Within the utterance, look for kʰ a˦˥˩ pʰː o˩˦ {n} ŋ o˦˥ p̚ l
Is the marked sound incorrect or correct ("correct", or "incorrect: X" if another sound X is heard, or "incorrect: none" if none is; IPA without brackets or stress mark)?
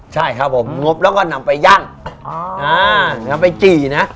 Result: incorrect: m